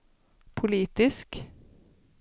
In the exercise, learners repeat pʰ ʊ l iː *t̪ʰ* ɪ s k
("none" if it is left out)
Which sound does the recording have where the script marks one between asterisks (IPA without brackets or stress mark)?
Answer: t̪